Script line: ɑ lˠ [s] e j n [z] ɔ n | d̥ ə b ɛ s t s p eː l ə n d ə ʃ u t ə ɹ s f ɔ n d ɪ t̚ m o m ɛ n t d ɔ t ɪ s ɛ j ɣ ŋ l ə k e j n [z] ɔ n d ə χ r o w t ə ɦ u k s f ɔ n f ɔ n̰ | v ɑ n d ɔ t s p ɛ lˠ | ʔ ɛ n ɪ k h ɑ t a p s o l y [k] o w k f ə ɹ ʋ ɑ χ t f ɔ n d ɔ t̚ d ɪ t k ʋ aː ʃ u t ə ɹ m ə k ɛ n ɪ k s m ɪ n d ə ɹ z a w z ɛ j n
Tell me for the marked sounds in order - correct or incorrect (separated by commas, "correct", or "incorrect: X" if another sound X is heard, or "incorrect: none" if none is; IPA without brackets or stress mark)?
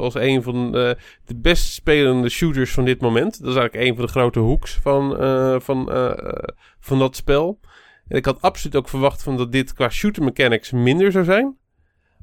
correct, incorrect: v, incorrect: v, incorrect: t